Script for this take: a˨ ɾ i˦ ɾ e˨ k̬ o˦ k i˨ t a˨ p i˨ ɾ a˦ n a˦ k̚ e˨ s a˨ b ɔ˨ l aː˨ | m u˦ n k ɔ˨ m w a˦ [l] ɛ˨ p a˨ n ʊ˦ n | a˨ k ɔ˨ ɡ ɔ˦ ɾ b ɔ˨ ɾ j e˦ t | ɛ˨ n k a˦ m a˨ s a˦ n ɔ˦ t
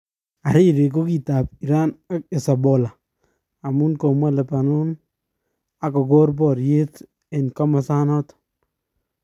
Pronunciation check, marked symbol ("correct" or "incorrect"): correct